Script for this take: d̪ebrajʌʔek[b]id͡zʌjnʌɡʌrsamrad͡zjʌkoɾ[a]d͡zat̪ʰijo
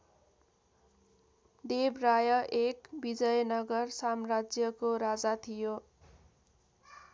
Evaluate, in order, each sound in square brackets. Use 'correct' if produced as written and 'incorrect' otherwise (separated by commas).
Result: correct, correct